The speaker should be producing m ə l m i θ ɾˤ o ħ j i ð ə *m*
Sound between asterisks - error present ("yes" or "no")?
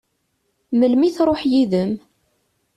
no